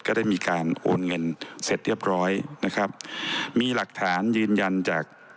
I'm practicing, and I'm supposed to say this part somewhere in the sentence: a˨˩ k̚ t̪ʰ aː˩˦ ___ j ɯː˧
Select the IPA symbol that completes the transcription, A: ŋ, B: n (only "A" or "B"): B